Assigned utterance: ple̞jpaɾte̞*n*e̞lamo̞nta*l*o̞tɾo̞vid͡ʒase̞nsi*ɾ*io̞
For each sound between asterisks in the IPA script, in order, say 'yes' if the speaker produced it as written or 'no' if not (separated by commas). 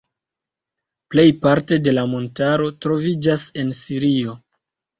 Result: no, no, yes